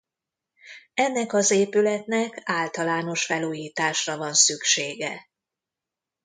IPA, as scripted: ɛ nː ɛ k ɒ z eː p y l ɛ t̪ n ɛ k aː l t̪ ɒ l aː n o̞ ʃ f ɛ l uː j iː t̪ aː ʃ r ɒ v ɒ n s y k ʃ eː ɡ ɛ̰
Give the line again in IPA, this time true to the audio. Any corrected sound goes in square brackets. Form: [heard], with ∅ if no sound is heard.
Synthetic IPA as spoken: ɛ nː ɛ k ɒ z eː p y l ɛ t̪ n ɛ k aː l t̪ ɒ l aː n o̞ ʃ f ɛ l uː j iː t̪ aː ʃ r ɒ v ɒ n s y k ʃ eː ɡ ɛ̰